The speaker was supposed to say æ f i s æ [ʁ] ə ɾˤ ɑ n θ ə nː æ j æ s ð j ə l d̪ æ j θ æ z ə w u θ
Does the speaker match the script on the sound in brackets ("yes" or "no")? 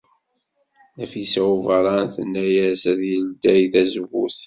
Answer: no